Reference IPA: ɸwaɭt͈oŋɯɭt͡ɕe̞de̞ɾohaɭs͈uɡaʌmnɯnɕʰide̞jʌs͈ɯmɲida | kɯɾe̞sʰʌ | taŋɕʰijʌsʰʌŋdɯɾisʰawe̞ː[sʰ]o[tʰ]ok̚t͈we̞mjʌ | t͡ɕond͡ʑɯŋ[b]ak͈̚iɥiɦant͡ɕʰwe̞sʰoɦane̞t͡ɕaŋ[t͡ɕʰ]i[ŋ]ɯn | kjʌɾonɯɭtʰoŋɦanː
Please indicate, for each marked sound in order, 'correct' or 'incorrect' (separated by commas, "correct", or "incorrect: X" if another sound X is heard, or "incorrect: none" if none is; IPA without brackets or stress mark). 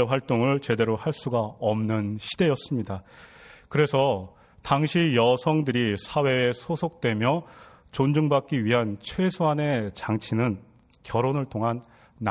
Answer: correct, incorrect: sʰ, correct, correct, incorrect: n